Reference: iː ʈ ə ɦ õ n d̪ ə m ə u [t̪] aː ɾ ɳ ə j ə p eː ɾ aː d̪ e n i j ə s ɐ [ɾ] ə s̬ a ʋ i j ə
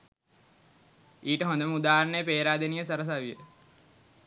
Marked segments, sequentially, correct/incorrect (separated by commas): incorrect, correct